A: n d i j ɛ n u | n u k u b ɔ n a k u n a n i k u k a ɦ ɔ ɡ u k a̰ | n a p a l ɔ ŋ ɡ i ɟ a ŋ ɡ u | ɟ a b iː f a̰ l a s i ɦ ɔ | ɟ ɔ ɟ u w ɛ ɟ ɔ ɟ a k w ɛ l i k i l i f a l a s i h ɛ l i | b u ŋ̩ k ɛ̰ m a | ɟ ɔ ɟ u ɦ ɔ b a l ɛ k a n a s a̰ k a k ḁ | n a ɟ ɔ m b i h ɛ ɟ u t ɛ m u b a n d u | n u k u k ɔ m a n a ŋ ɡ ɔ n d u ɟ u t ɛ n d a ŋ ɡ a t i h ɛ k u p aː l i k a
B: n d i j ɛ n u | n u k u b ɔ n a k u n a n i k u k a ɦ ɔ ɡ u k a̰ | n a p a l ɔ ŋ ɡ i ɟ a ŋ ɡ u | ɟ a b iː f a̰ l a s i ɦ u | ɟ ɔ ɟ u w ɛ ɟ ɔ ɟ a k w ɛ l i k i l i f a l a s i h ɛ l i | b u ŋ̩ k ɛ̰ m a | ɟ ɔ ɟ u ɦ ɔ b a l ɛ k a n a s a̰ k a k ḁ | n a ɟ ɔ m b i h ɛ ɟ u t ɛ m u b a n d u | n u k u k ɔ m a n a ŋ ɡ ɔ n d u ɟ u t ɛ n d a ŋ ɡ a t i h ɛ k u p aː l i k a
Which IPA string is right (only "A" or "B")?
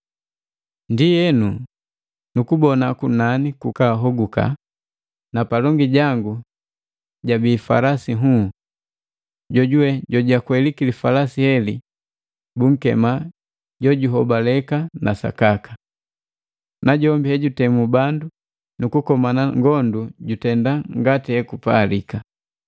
B